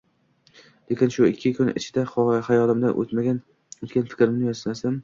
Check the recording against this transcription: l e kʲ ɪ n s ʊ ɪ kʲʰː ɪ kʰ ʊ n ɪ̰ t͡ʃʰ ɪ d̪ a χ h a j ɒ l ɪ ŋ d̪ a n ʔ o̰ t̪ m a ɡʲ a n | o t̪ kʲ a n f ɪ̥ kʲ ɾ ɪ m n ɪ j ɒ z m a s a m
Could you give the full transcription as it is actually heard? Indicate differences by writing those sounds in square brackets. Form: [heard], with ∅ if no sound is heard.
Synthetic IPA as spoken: l e kʲ ɪ n [ʃ] ʊ ɪ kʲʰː ɪ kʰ ʊ n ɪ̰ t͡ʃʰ ɪ d̪ a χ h a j ɒ l ɪ [m] d̪ a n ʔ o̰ t̪ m a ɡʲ a n | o t̪ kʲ a n f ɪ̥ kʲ ɾ ɪ m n ɪ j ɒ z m a s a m